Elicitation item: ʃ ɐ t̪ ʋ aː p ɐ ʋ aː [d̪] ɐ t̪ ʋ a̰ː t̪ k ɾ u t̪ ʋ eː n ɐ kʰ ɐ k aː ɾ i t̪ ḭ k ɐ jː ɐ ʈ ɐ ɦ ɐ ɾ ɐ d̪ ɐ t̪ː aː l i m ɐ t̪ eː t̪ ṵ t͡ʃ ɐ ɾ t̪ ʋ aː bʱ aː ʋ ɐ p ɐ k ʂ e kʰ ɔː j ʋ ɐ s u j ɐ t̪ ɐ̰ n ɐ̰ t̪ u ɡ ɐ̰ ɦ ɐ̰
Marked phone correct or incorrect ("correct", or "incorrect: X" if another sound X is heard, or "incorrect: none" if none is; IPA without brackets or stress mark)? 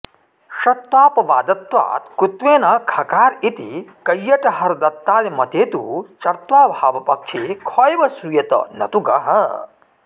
correct